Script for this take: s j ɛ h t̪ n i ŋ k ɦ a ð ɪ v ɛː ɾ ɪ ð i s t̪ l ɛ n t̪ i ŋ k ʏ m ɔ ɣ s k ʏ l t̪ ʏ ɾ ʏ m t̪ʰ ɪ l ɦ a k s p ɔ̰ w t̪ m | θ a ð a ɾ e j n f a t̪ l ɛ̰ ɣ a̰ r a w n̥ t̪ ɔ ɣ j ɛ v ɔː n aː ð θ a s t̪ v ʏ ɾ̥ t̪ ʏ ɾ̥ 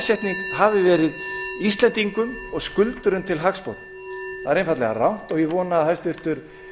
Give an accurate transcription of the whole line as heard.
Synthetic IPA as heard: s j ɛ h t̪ n i ŋ k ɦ a v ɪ v ɛː ɾ ɪ ð i s t̪ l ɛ n t̪ i ŋ k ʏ m ɔ ɣ s k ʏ l t̪ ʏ ɾ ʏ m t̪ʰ ɪ l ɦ a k s p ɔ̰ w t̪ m | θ a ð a ɾ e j n f a t̪ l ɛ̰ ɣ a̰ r a w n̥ t̪ ɔ ɣ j ɛ v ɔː n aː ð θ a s t̪ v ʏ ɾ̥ t̪ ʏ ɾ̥